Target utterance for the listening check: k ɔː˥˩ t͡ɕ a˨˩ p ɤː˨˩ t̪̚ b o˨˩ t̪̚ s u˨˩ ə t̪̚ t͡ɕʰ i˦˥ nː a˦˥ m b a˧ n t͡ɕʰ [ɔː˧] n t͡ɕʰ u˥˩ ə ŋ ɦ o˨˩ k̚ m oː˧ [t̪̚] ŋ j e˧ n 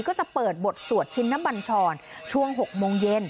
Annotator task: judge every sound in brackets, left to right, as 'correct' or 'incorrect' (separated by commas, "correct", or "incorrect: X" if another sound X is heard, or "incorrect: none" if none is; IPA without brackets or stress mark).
correct, incorrect: none